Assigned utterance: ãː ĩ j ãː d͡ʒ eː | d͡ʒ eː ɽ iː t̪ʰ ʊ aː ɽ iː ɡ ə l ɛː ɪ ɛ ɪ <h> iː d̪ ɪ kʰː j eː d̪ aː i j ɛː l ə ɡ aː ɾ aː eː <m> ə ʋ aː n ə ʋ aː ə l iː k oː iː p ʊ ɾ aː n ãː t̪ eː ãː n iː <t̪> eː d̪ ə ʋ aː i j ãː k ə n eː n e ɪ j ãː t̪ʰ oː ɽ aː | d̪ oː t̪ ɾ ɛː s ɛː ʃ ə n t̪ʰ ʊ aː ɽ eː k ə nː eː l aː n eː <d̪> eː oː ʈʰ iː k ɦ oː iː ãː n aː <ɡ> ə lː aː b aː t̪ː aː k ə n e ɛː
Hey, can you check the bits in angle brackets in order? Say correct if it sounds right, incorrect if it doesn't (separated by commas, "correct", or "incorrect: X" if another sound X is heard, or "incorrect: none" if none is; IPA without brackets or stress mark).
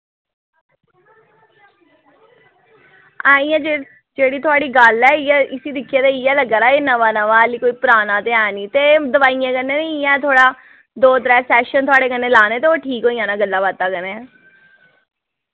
incorrect: s, incorrect: n, correct, incorrect: t̪, correct